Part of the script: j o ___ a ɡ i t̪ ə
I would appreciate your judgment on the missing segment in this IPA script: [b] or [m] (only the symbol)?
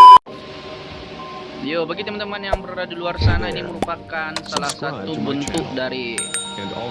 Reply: b